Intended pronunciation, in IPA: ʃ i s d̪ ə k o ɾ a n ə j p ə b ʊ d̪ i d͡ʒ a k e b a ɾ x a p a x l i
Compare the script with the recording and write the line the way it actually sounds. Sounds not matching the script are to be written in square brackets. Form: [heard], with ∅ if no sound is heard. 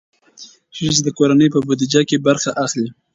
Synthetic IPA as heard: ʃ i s d̪ ə k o ɾ a n ə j p ə b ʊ d̪ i d͡ʒ a k e b a ɾ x a [ʔ] a x l i